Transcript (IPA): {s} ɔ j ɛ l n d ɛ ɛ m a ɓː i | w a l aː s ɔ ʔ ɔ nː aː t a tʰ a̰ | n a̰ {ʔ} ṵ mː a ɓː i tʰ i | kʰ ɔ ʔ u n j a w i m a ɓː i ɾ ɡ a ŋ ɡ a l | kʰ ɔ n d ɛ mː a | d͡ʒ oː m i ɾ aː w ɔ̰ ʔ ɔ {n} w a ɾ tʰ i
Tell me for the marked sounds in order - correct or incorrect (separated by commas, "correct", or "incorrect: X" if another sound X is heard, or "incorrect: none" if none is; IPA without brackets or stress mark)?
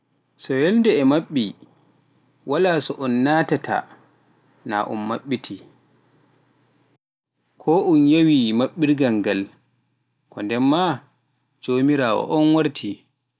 correct, correct, correct